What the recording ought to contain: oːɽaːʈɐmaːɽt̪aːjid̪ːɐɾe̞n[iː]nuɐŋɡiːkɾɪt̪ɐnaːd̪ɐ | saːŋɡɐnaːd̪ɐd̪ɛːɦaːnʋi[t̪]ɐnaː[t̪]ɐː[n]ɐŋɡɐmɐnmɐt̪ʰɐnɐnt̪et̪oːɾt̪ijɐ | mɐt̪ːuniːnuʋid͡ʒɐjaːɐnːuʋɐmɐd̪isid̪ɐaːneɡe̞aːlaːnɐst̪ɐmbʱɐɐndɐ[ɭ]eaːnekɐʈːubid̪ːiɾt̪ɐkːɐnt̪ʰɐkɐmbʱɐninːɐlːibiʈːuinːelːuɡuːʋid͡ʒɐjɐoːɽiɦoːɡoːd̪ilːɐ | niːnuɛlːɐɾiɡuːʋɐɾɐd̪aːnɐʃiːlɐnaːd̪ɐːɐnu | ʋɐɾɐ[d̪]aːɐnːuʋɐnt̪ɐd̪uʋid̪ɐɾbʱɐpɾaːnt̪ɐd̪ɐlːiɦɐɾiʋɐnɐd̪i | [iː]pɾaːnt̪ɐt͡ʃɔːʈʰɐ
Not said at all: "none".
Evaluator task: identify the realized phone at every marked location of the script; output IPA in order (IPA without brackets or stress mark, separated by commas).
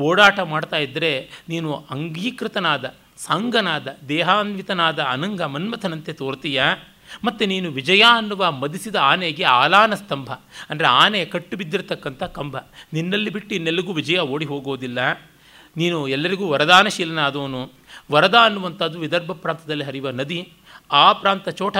iː, t̪, d̪, n, ɾ, d̪, aː